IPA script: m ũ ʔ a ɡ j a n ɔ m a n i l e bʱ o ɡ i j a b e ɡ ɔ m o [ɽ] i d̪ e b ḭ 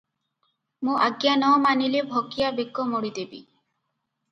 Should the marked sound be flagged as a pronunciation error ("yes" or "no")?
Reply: no